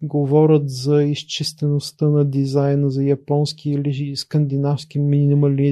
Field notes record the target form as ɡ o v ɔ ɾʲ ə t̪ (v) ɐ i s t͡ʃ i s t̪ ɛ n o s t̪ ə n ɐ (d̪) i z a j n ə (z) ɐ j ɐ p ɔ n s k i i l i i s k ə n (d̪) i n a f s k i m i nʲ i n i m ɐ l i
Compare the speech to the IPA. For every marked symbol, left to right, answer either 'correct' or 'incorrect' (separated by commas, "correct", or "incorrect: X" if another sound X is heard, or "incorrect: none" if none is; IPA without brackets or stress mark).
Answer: incorrect: z, correct, correct, correct